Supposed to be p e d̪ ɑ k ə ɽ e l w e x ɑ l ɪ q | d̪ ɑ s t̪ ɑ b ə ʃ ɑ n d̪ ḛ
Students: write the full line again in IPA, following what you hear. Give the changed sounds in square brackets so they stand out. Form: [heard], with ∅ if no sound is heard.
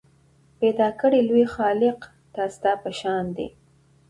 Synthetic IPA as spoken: p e d̪ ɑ k ə ɽ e l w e x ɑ l ɪ q | [t̪] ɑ s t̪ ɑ [p] ə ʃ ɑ n d̪ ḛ